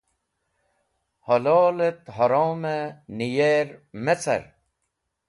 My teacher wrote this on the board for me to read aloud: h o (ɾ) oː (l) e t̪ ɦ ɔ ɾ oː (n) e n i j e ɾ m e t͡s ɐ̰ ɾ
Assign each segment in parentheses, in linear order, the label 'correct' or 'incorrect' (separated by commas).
incorrect, correct, incorrect